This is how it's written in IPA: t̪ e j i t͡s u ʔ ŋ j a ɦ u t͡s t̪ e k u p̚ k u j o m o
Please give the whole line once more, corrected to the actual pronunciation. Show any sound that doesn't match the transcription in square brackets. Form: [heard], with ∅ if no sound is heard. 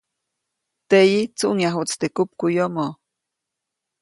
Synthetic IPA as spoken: t̪ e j i t͡s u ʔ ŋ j a ɦ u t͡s t̪ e k u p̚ k u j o m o